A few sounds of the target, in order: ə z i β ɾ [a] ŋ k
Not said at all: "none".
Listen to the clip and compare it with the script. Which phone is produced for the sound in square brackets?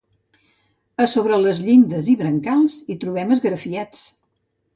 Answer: ə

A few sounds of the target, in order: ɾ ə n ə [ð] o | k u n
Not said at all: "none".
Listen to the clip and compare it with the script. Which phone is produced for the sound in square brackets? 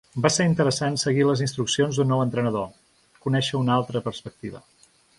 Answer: ð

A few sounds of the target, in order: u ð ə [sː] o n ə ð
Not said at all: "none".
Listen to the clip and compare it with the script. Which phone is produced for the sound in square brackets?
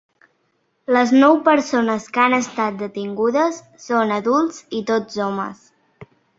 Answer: sː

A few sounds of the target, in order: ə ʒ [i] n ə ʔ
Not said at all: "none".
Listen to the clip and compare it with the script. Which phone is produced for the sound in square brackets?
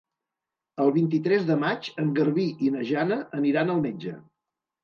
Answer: a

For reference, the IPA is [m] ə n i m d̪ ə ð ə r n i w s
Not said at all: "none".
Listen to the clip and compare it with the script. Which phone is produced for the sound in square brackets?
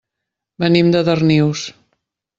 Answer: b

